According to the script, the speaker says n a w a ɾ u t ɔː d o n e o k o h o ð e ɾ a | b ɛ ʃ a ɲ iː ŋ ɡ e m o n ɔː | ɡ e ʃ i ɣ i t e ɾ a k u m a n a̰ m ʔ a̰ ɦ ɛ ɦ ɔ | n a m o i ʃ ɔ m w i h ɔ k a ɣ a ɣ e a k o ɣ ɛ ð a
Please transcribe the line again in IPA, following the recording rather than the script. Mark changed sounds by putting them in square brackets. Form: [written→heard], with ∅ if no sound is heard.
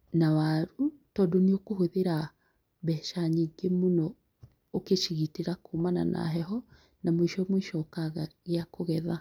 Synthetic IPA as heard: n a w a ɾ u t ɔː d o n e o k o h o ð e ɾ a | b ɛ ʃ a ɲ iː ŋ ɡ e m o n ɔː | [ɡ→k] e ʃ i ɣ i t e ɾ a k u m a n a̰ [m→n] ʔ a̰ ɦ ɛ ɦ ɔ | n a m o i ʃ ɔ m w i [h→ʃ] ɔ k a ɣ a ɣ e a k o ɣ ɛ ð a